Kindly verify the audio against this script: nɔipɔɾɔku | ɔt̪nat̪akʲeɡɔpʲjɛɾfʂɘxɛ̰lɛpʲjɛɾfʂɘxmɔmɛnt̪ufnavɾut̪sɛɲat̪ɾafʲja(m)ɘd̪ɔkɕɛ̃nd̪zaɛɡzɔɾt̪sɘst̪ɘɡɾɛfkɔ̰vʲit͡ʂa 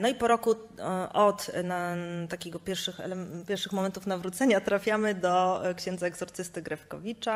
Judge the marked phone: correct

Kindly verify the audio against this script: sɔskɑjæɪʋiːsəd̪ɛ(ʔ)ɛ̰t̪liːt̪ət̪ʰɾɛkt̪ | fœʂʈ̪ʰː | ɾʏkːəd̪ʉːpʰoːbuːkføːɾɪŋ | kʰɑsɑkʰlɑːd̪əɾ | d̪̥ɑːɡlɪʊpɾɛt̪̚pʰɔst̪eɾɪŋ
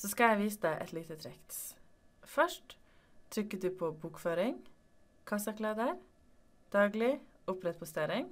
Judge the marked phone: correct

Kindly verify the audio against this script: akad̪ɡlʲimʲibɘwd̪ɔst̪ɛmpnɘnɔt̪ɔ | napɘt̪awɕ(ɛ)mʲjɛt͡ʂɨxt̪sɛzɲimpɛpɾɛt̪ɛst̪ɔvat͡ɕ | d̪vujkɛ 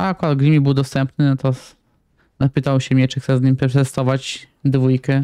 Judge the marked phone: correct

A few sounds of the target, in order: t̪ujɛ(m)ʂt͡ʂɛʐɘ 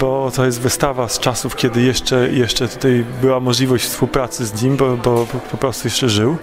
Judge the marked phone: incorrect: none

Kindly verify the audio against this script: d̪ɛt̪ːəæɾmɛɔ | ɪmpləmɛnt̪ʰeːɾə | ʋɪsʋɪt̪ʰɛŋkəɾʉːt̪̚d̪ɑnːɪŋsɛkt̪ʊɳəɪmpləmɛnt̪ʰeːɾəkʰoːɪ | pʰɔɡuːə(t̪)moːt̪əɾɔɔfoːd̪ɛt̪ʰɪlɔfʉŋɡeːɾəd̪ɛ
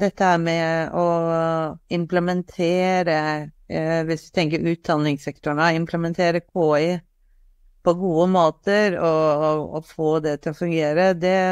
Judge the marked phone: incorrect: none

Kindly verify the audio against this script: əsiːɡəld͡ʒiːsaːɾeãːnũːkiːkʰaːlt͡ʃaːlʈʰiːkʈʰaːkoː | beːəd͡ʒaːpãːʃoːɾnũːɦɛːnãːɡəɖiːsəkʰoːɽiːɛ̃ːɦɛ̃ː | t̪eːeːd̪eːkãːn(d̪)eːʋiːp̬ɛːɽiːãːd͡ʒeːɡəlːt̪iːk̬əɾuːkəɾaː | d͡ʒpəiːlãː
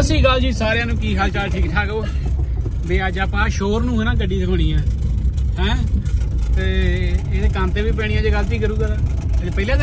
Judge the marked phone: incorrect: t̪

